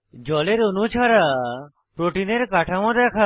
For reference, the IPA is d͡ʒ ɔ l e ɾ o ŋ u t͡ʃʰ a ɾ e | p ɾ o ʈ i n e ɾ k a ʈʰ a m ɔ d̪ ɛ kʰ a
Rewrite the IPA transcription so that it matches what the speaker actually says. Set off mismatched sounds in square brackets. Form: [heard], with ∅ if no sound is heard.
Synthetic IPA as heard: d͡ʒ ɔ l e ɾ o [n] u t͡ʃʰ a ɾ [a] | p ɾ o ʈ i n e ɾ k a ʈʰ a m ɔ d̪ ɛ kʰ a